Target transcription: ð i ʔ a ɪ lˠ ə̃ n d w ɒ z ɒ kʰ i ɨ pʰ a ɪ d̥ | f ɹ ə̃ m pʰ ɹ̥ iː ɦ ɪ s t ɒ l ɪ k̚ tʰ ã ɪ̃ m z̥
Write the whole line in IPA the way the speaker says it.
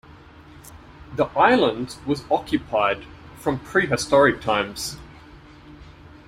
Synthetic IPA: ð i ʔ a ɪ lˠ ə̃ n d w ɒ z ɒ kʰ j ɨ pʰ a ɪ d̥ | f ɹ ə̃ m pʰ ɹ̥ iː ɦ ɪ s t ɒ ɹ ɪ k̚ tʰ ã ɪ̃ m z̥